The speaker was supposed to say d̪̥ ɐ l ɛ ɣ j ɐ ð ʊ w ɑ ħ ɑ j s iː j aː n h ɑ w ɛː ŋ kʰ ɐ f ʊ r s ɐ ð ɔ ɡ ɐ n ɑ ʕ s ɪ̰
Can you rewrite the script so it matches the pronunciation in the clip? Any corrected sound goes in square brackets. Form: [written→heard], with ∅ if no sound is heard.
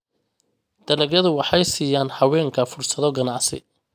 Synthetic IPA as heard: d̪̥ ɐ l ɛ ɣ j ɐ ð ʊ w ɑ ħ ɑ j s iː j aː n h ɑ w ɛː ŋ kʰ ɐ f ʊ r s ɐ ð ɔ ɡ ɐ n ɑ ʕ s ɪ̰